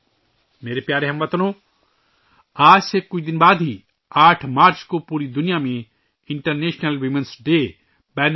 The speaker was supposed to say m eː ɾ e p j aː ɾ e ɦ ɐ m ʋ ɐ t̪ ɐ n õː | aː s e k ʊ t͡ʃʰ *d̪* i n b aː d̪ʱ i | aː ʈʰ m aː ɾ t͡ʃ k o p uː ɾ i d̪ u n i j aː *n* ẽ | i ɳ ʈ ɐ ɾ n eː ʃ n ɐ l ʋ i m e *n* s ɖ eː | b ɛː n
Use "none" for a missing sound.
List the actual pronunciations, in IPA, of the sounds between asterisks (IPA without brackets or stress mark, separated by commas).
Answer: d̪, m, n